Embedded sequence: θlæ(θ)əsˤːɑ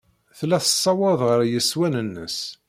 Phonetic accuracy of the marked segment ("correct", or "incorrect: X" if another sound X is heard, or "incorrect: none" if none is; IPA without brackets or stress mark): correct